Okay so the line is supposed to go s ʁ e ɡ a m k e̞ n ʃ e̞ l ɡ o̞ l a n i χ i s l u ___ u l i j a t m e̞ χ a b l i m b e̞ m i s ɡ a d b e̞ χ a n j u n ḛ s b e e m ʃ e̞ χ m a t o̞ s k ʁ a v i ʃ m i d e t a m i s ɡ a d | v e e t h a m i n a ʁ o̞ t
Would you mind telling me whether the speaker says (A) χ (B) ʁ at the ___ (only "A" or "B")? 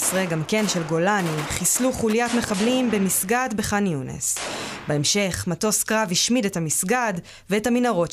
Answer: A